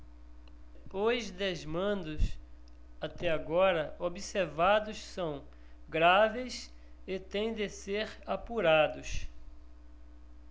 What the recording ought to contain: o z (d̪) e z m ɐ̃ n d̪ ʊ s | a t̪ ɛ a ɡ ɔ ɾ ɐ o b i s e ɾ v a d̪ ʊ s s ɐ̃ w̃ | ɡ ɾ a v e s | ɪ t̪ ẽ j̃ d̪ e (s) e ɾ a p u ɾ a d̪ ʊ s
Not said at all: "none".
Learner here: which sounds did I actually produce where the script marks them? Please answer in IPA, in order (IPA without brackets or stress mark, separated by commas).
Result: d̪, s